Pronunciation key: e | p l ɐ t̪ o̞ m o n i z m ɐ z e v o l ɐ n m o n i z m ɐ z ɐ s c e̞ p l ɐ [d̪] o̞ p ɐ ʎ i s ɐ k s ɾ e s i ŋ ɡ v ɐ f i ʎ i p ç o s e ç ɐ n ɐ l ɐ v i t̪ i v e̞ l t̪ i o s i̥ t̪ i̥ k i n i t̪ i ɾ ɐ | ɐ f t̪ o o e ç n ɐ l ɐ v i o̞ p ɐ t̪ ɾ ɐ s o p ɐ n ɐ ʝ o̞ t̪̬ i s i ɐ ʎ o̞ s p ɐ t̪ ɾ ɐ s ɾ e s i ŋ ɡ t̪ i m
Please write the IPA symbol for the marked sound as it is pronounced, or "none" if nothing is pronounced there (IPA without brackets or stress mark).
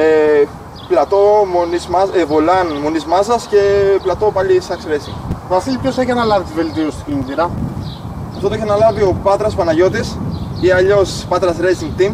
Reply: t̪